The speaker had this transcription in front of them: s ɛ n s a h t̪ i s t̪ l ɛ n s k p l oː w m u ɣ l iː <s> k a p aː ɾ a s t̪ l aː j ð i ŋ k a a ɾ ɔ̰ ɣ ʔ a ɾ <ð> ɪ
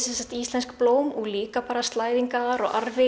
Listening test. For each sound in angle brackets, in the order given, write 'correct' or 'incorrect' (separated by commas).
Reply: incorrect, incorrect